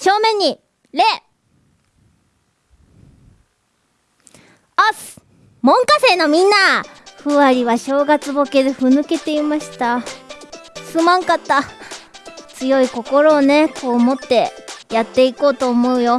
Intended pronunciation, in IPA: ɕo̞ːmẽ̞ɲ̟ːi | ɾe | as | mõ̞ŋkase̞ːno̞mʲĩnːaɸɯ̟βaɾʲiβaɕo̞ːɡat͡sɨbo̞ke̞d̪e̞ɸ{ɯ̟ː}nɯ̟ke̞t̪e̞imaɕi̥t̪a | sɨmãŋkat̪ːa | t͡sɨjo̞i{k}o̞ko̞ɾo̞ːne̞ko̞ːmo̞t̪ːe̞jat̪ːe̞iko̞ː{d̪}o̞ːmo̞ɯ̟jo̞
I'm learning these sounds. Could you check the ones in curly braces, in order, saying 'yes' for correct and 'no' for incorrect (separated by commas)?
no, yes, no